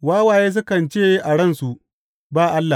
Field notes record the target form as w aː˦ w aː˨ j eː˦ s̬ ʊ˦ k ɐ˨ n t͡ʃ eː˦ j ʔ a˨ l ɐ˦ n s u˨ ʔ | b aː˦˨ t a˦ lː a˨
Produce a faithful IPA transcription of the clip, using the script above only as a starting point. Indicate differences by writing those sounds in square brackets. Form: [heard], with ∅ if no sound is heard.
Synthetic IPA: w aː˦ w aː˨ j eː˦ s̬ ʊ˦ k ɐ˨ n t͡ʃ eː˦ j ʔ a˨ [ɽ] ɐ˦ n s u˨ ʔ | b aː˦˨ [ʔ] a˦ lː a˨